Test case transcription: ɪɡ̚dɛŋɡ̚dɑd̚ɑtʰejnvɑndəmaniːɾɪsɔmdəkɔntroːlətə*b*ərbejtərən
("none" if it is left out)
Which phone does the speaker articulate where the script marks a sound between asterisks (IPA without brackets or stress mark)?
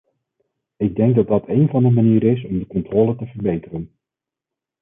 v